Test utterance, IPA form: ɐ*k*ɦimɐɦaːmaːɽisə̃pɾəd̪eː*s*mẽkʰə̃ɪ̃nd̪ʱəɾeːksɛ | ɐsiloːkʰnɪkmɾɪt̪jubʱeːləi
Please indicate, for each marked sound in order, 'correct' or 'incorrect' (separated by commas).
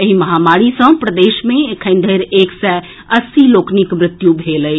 incorrect, incorrect